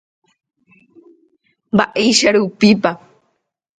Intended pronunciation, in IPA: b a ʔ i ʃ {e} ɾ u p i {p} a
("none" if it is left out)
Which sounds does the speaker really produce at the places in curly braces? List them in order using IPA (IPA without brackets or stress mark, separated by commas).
a, p